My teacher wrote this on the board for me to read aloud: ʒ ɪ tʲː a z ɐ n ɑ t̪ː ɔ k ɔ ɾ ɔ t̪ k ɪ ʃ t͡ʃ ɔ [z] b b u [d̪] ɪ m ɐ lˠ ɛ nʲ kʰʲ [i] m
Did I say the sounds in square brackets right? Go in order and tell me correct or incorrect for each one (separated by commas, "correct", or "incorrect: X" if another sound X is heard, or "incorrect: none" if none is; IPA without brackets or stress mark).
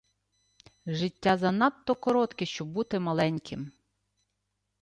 incorrect: none, incorrect: t̪, incorrect: ɪ